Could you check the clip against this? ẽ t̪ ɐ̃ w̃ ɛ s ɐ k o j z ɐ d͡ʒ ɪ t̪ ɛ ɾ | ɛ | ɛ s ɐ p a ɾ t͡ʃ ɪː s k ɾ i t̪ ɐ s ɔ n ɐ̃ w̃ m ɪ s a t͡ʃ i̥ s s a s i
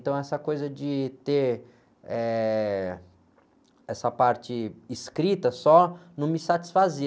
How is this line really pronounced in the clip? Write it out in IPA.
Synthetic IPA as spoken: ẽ t̪ ɐ̃ w̃ ɛ s ɐ k o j z ɐ d͡ʒ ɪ t̪ e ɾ | ɛ | ɛ s ɐ p a ɾ t͡ʃ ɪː s k ɾ i t̪ ɐ s ɔ n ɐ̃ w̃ m ɪ s a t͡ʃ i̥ s f a z i